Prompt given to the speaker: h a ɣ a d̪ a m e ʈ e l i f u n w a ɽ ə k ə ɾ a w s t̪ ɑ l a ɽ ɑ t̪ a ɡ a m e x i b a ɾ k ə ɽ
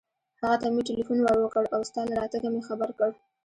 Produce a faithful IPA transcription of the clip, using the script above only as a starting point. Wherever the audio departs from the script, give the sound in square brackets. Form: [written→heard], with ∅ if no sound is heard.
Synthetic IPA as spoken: h a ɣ a [d̪→t̪] a m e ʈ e l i f u n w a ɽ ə k ə [ɾ→ɽ] a w s t̪ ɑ l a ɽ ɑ t̪ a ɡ a m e x [i→a] b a ɾ k ə ɽ